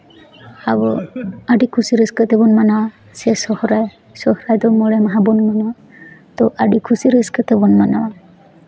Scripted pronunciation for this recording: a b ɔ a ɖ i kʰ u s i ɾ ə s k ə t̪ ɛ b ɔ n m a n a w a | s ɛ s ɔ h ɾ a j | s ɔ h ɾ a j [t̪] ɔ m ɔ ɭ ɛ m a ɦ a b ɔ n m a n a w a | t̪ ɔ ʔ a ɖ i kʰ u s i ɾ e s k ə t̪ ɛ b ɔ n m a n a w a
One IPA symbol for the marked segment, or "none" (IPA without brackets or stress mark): d̪